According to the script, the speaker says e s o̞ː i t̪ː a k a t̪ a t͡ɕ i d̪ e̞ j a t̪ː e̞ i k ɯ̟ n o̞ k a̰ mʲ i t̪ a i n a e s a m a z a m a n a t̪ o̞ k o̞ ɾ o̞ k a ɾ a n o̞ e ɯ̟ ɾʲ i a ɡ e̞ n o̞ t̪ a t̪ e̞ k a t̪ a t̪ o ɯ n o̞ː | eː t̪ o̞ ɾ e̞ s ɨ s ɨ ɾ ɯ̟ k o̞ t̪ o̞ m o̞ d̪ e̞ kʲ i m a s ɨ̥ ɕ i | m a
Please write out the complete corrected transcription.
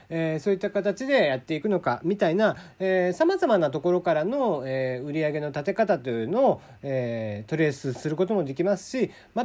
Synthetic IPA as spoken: e s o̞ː i t̪ː a k a t̪ a t͡ɕ i d̪ e̞ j a t̪ː e̞ i k ɯ̟ n o̞ k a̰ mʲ i t̪ a i n a e s a m a z a m a n a t̪ o̞ k o̞ ɾ o̞ k a ɾ a n o̞ e ɯ̟ ɾʲ i a ɡ e̞ n o̞ t̪ a t̪ e̞ k a t̪ a t̪ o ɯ n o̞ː | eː t̪ o̞ ɾ e̞ s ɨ s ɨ ɾ ɯ̟ k o̞ t̪ o̞ m o̞ d̪ e̞ kʲ i m a s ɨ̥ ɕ i | m a